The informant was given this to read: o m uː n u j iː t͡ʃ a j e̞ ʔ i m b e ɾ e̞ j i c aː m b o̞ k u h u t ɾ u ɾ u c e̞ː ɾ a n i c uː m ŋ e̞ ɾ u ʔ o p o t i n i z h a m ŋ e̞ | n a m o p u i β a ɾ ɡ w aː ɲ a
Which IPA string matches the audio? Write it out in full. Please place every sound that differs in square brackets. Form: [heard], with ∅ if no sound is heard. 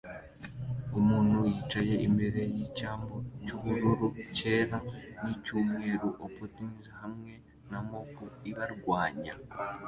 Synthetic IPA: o m uː n u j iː t͡ʃ a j e̞ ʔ i m b e ɾ e̞ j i c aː m b o̞ [c] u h u [∅] ɾ u ɾ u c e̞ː ɾ a n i c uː m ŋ e̞ ɾ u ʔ o p o t i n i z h a m ŋ e̞ | n a m o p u i β a ɾ ɡ w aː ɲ a

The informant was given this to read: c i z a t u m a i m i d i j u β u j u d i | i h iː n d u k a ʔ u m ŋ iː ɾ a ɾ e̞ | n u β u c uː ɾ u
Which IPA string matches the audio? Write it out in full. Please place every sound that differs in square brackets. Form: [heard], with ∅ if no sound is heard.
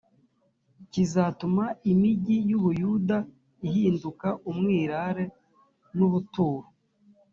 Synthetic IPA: c i z a t u m a i m i [ɟ] i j u β u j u d [a] | i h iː n d u k a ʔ u m ŋ iː ɾ a ɾ e̞ | n u β u [t] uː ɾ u

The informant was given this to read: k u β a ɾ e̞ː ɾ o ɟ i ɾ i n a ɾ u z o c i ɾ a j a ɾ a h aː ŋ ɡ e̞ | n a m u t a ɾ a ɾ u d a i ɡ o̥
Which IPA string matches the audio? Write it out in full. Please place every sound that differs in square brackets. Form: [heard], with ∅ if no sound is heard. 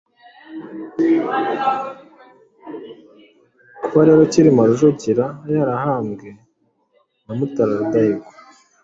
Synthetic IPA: k u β a ɾ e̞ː ɾ o [c] i ɾ i [m] a ɾ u [ʒ] o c i ɾ a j a ɾ a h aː [m] ɡ e̞ | n a m u t a ɾ a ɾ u d a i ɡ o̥

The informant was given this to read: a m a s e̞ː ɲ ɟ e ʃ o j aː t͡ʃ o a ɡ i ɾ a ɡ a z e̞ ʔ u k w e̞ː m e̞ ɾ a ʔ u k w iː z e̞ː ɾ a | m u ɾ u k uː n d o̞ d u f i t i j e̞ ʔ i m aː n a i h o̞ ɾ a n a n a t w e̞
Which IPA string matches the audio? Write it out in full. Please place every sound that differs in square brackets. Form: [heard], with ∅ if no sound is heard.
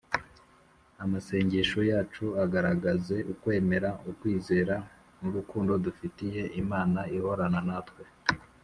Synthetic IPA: a m a s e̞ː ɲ ɟ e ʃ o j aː t͡ʃ [u] a ɡ [a] ɾ a ɡ a z e̞ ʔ u k w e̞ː m e̞ ɾ a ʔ u k w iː z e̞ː ɾ a | m u ɾ u k uː n d o̞ d u f i t i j e̞ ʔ i m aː n a i h o̞ ɾ a n a n a t w e̞

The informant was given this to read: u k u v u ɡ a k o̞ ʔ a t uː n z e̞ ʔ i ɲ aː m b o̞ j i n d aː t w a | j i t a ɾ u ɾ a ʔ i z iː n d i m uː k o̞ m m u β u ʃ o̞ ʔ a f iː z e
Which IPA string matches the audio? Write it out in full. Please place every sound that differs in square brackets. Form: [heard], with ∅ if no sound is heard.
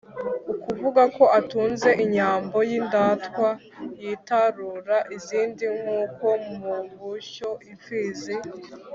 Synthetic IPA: u k u v u ɡ a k o̞ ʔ a t uː n z e̞ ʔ i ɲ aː m b o̞ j i n d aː t w a | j i t a ɾ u ɾ a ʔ i z iː n d i [ŋ] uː k o̞ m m u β u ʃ o̞ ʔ [i] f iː z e

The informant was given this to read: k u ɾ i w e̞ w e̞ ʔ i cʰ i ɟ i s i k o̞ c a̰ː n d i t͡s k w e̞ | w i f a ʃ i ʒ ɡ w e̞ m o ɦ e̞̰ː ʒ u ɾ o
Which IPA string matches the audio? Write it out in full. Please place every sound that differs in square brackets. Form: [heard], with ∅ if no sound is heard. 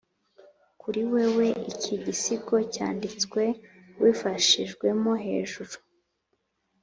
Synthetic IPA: k u ɾ i w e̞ w e̞ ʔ i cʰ i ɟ i s i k o̞ c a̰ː n d i t͡s k w e̞ | w i f a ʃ i ʒ ɡ w e̞ m o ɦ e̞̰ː ʒ u ɾ [u]

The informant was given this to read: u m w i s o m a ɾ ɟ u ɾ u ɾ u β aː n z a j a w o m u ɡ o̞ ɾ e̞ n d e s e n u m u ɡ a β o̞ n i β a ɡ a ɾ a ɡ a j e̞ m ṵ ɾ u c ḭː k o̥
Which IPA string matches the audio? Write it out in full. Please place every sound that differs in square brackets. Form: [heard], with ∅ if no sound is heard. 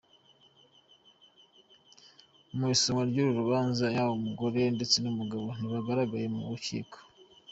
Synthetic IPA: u m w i s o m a ɾ ɟ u ɾ u ɾ u β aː n z a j a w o m u ɡ o̞ ɾ e̞ n d e [t͡s] e n u m u ɡ a β o̞ n i β a ɡ a ɾ a ɡ a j e̞ m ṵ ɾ u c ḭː k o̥

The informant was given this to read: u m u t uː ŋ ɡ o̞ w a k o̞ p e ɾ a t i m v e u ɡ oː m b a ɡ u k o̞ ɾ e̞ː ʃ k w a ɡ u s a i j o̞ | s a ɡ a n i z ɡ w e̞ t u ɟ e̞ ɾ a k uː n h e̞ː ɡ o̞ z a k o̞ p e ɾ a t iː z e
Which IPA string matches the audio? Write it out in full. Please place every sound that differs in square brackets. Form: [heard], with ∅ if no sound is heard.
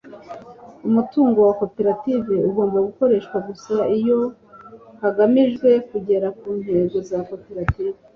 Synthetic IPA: u m u t uː ŋ ɡ o̞ w a k o̞ p e ɾ a t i [∅] v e u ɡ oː m b a ɡ u k o̞ ɾ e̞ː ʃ k w a ɡ u s a i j o̞ | [h] a ɡ a [m] i [ʒ] ɡ w e̞ [k] u ɟ e̞ ɾ a k uː n h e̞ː ɡ o̞ z a k o̞ p e ɾ a t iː [v] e

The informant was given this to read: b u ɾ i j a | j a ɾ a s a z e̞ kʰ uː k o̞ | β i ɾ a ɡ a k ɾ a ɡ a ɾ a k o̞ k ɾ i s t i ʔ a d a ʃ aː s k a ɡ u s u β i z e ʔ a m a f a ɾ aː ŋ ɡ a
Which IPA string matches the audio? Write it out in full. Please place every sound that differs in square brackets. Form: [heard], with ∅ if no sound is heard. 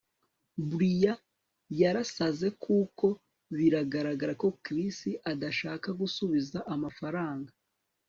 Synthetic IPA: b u ɾ i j a | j a ɾ a s a z e̞ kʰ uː k o̞ | β i ɾ a ɡ a [∅] ɾ a ɡ a ɾ a k o̞ k ɾ i s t i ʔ a d a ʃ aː [∅] k a ɡ u s u β i z [a] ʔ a m a f a ɾ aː ŋ ɡ a

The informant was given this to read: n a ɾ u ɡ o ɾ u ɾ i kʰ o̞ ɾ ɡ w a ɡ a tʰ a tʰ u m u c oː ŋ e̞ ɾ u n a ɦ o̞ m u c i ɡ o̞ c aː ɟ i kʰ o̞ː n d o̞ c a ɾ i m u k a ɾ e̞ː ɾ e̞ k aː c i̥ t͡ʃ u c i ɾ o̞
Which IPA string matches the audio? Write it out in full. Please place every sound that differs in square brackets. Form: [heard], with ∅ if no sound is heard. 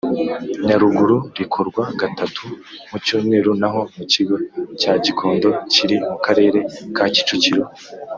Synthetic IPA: [ɲ] a ɾ u ɡ [u] ɾ u ɾ i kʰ o̞ ɾ ɡ w a ɡ a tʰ a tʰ u m u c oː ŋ e̞ ɾ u n a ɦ o̞ m u c i ɡ o̞ c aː ɟ i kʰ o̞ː n d o̞ c [i] ɾ i m u k a ɾ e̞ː ɾ e̞ k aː c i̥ t͡ʃ u c i ɾ o̞

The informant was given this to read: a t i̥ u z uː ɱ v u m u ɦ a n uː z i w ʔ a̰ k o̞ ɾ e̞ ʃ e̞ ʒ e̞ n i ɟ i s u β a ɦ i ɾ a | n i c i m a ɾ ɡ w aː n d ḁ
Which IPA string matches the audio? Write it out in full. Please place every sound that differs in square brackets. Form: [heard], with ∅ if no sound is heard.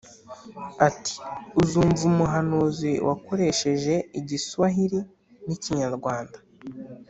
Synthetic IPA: a t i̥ u z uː ɱ v u m u ɦ a n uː z i w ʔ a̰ k o̞ ɾ e̞ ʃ e̞ ʒ e̞ [∅] i ɟ i s u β a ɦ i ɾ [i] | n i c i [ɲ] a ɾ ɡ w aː n d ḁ

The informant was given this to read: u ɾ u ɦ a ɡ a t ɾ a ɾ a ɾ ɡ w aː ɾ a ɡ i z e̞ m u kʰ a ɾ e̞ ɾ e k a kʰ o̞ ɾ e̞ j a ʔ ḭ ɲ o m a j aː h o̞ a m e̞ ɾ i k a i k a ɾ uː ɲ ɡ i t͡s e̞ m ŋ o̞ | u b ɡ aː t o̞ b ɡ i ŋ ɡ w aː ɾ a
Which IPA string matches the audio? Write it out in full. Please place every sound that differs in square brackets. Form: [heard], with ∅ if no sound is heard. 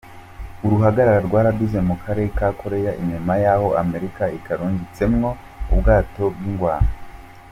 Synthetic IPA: u ɾ u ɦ a ɡ a [∅] ɾ a ɾ a ɾ ɡ w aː ɾ a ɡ i z e̞ m u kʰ a ɾ e̞ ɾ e k a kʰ o̞ ɾ e̞ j a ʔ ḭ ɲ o m a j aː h o̞ a m e̞ ɾ i k a i k a ɾ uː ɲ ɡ i t͡s e̞ m ŋ o̞ | u b ɡ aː t o̞ b ɡ i ŋ ɡ w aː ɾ a

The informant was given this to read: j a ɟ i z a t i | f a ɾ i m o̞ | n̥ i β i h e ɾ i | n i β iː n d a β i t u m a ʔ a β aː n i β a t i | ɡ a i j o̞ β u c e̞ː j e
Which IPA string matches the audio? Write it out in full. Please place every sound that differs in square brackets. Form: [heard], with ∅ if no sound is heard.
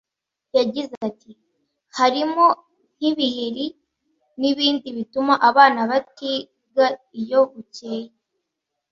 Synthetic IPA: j a ɟ i z a t i | [h] a ɾ i m o̞ | n̥ i β i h e ɾ i | n i β iː n d [i] β i t u m a ʔ a β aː n [a] β a t i | ɡ a i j o̞ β u c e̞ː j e

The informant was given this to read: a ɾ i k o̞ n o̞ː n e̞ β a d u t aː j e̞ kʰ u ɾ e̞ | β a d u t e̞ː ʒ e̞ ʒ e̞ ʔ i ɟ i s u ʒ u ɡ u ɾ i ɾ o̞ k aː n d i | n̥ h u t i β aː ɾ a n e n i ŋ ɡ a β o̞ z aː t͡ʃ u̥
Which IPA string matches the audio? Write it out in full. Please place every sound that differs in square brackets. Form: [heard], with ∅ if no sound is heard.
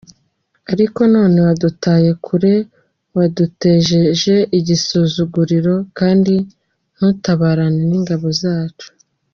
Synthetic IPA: a ɾ i k o̞ n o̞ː n e̞ [w] a d u t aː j e̞ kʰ u ɾ e̞ | [w] a d u t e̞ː ʒ e̞ ʒ e̞ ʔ i ɟ i s u [z] u ɡ u ɾ i ɾ o̞ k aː n d i | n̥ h u t [a] β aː ɾ a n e n i ŋ ɡ a β o̞ z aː t͡ʃ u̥

